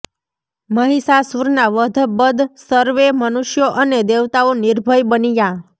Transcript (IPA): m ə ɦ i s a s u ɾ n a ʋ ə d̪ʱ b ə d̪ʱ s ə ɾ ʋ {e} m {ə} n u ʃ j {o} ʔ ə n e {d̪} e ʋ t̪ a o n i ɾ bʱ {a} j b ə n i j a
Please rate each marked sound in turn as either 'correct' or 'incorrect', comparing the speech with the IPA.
correct, correct, correct, correct, incorrect: ə

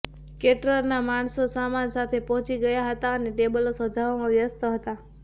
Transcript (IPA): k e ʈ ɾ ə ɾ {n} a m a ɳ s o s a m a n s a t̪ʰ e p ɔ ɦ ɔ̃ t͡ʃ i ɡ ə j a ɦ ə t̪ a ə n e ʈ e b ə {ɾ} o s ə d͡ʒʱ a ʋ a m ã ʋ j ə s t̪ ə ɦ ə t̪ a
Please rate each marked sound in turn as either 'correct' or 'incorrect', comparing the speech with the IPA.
correct, incorrect: l

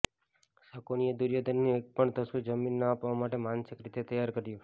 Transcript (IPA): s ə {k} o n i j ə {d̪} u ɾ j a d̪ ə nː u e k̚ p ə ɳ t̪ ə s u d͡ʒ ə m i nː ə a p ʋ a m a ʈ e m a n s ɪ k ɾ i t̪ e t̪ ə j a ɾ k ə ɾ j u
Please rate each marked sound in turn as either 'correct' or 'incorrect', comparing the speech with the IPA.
correct, correct

